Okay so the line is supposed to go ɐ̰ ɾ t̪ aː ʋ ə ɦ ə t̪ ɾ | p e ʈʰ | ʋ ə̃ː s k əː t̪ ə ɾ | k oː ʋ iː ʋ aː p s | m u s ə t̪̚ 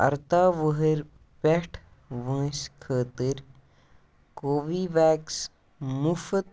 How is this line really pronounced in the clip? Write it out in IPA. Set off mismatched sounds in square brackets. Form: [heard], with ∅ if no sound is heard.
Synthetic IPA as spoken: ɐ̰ ɾ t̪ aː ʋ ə ɦ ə [∅] ɾ | p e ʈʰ | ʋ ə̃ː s [kʰ] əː t̪ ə ɾ | k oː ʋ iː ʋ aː [k] s | m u [f] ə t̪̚